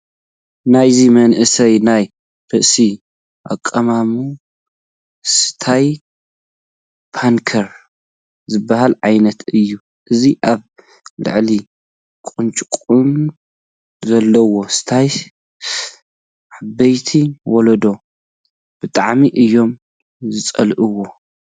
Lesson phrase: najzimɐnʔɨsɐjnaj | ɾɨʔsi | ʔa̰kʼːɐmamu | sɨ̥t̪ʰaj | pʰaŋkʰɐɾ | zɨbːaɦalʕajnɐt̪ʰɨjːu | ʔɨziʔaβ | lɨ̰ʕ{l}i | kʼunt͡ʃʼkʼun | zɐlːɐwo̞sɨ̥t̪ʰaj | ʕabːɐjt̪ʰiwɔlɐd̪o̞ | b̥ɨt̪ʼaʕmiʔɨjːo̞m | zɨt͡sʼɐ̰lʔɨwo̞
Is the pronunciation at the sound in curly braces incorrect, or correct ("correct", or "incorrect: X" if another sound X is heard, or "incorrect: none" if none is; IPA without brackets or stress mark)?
correct